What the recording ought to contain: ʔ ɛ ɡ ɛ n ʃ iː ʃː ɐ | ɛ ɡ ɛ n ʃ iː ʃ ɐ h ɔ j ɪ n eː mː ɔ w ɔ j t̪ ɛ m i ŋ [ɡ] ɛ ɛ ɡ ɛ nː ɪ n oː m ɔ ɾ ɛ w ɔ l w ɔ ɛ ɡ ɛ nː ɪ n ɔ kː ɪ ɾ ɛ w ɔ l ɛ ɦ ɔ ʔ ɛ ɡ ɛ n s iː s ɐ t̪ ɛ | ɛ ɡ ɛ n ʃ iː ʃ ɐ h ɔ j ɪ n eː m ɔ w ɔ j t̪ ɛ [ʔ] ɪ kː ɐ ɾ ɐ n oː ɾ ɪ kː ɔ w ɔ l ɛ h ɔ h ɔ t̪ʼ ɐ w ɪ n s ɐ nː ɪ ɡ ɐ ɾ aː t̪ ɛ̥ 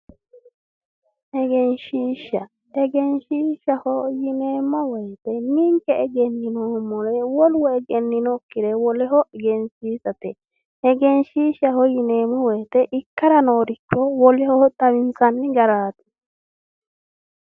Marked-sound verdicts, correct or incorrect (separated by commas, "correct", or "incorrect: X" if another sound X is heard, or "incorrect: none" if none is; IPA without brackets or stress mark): incorrect: k, correct